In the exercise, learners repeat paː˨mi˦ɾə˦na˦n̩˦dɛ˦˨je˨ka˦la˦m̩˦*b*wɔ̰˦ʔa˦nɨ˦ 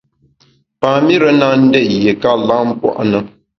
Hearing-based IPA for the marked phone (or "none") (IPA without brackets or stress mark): p